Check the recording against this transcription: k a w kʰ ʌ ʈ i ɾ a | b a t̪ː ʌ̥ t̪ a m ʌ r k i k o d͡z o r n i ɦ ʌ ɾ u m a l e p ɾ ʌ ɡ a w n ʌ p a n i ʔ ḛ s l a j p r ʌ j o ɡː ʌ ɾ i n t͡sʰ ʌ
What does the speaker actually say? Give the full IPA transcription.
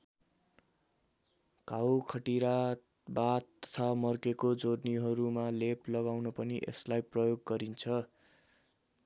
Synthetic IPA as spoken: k a w kʰ ʌ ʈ i ɾ a | b a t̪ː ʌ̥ t̪ʰ a m ʌ r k e k o d͡z o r n i ɦ ʌ ɾ u m a l e p l ʌ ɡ a w n ʌ p ʌ n i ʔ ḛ s l a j p r ʌ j o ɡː ʌ ɾ i n t͡sʰ ʌ